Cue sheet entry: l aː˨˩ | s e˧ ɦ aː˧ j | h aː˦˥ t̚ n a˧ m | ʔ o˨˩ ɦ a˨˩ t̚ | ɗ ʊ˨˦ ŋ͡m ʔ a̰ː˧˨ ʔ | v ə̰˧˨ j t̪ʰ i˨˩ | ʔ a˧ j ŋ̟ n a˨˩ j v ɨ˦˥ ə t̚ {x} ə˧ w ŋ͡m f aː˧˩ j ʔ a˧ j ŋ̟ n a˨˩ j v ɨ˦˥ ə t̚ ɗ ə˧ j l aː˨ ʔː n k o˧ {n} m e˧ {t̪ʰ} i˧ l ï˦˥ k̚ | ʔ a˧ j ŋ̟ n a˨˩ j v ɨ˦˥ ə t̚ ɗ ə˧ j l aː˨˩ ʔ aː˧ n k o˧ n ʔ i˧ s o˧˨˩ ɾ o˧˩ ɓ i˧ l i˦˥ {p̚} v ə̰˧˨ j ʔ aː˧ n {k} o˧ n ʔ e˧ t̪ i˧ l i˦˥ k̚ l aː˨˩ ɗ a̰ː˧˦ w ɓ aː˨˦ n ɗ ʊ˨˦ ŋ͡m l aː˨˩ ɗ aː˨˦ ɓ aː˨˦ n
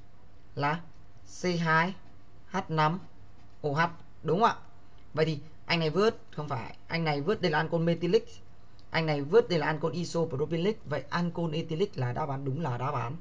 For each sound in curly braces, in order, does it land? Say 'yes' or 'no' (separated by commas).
yes, yes, no, no, yes